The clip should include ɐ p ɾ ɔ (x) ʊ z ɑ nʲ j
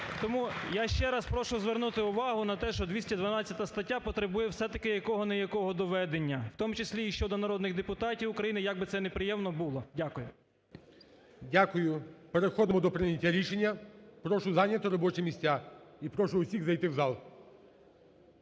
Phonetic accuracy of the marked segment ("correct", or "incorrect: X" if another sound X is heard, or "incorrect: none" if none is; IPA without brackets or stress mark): incorrect: ʃ